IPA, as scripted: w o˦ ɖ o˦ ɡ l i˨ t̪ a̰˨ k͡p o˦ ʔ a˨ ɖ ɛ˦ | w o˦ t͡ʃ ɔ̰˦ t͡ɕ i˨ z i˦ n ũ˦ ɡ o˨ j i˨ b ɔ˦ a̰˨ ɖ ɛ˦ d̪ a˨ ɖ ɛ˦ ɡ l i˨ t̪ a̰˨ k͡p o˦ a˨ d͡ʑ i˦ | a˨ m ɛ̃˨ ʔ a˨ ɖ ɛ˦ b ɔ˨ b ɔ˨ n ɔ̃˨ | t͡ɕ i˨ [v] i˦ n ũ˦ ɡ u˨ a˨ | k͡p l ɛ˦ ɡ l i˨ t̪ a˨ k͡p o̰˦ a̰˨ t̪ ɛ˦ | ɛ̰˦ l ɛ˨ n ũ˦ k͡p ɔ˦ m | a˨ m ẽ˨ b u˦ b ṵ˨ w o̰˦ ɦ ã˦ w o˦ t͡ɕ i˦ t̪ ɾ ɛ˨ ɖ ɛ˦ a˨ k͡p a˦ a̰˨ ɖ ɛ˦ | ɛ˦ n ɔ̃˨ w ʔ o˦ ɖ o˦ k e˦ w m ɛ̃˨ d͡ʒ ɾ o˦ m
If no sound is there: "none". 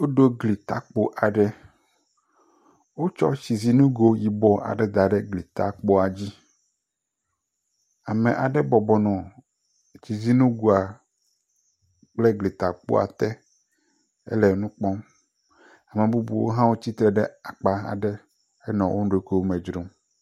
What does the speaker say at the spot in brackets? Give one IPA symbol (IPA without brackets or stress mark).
z